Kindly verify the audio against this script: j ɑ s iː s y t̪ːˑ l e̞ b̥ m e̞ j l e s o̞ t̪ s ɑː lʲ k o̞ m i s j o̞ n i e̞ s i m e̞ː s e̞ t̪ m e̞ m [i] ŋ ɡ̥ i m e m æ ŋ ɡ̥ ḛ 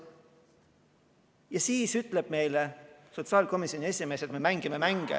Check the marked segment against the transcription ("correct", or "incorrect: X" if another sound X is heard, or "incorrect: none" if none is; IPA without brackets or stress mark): incorrect: æ